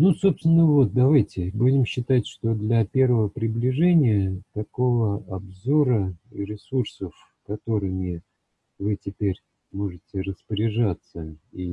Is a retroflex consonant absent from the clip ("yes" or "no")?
no